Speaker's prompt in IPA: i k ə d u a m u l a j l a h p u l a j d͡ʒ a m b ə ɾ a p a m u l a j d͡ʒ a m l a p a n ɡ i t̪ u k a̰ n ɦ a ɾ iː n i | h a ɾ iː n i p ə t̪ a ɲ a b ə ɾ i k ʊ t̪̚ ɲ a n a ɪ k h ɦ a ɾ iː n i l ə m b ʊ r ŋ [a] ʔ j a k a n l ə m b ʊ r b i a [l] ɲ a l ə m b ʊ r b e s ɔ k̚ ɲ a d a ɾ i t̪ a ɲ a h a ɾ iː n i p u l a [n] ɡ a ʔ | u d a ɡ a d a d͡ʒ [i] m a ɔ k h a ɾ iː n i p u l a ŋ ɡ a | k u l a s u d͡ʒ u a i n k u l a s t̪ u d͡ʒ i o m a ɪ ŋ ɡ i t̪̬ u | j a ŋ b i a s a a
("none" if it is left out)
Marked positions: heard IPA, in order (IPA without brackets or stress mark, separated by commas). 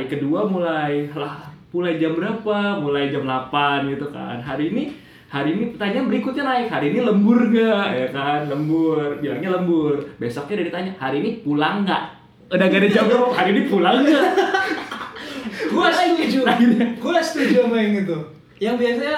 a, r, ŋ, a